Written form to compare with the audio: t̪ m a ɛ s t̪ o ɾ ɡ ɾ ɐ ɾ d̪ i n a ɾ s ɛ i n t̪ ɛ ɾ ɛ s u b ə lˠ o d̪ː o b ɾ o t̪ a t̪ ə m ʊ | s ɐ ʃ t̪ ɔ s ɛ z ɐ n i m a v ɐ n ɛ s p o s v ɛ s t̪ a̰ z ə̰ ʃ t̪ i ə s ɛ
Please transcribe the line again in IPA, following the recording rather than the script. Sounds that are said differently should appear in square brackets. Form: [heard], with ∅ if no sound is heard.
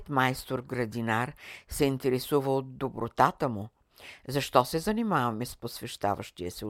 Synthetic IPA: t̪ m a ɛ s t̪ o ɾ ɡ ɾ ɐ [∅] d̪ i n a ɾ s ɛ i n t̪ ɛ ɾ ɛ s u [v] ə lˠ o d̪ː o b ɾ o t̪ a t̪ ə m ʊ | [z] ɐ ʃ t̪ ɔ s ɛ z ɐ n i m a v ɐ [m] ɛ s p o s v ɛ [ʃ] t̪ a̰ [v] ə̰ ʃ t̪ i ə s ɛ